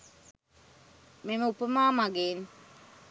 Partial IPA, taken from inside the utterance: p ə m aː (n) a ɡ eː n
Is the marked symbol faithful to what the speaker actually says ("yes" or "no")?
no